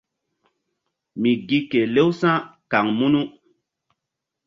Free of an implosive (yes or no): yes